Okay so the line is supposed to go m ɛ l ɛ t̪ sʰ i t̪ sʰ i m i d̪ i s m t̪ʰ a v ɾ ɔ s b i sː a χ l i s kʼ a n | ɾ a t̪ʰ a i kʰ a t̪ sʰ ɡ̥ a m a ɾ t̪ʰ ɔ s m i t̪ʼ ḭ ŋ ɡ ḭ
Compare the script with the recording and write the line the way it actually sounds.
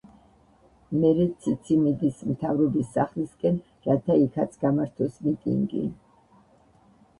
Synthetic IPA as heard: m ɛ ɾ ɛ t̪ sʰ i t̪ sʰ i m i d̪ i s m t̪ʰ a v ɾ ɔ b i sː a χ l i s kʼ ɛ n | ɾ a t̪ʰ a i kʰ a t̪ sʰ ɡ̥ a m a ɾ t̪ʰ ɔ s m i t̪ʼ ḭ ŋ ɡ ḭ